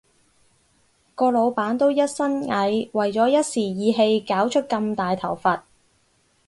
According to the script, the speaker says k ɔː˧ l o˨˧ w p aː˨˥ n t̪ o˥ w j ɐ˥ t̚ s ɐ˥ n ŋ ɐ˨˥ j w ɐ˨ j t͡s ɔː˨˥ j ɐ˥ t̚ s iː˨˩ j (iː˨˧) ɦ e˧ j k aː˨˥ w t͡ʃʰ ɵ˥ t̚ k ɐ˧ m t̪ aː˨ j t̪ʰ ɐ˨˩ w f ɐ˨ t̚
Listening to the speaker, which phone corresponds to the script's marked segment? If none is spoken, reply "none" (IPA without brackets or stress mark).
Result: iː˨˧